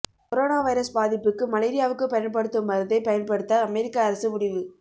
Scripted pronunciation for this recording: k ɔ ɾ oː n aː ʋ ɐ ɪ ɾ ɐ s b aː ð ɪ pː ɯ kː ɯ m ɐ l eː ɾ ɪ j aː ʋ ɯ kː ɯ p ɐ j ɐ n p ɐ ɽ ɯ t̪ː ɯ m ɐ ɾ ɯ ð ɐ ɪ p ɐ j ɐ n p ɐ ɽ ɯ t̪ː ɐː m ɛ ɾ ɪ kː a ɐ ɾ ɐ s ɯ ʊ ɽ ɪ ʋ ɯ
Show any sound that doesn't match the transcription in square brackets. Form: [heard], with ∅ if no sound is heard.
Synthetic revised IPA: k ɔ ɾ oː n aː ʋ ɐ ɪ ɾ ɐ s b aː ð ɪ pː ɯ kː ɯ m ɐ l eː ɾ ɪ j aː ʋ ɯ kː ɯ p ɐ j ɐ n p ɐ ɽ ɯ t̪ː ɯ m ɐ ɾ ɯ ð ɐ ɪ p ɐ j ɐ n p ɐ ɽ ɯ t̪ː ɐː m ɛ ɾ ɪ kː a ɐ ɾ ɐ s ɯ ʊ ɽ ɪ ʋ ɯ